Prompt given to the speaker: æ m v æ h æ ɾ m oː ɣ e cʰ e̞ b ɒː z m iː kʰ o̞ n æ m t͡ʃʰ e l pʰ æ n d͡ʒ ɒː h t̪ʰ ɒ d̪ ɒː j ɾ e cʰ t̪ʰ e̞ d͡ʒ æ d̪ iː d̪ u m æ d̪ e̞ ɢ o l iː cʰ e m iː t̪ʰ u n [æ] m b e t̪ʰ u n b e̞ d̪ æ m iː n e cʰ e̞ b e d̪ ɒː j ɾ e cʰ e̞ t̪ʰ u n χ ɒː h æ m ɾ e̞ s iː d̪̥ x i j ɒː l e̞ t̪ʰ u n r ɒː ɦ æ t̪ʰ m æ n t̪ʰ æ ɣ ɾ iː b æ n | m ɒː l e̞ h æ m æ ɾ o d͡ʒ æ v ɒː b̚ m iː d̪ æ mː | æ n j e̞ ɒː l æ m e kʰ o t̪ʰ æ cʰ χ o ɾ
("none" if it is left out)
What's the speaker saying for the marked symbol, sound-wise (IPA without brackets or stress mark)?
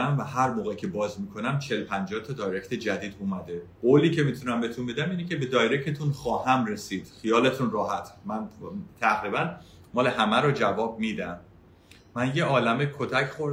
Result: æ